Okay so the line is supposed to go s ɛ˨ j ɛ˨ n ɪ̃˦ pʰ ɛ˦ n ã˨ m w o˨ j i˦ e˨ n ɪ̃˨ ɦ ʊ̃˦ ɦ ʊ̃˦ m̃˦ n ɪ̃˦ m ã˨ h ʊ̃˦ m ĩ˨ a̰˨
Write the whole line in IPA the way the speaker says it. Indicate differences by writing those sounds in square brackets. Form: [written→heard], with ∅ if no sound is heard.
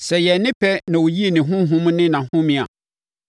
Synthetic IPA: s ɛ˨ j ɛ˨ n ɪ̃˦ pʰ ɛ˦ n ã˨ [m→∅] w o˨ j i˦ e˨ n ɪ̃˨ ɦ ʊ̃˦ ɦ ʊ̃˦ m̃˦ n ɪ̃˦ [m→n] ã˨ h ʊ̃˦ m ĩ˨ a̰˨

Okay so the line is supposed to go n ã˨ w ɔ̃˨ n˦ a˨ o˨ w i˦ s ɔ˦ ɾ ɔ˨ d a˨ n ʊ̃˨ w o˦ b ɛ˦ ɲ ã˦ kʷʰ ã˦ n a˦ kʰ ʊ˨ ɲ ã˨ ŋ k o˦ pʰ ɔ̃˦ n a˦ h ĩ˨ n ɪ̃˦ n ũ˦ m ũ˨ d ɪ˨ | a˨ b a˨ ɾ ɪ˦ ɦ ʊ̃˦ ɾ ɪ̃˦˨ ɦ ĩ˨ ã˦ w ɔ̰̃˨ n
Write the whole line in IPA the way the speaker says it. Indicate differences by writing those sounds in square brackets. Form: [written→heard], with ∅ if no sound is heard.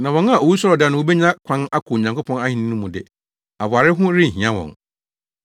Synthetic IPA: n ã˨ w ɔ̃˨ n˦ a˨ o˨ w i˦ s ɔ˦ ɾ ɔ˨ d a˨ n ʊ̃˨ w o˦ b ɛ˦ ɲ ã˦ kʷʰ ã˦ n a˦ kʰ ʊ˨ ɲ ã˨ ŋ k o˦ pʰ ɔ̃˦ n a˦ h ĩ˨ n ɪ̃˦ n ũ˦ m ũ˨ d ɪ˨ | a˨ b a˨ ɾ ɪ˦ ɦ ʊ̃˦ ɾ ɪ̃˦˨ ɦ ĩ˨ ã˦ w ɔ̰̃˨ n

